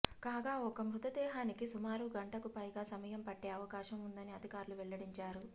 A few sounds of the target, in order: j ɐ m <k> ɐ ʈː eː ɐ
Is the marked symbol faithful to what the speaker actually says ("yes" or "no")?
no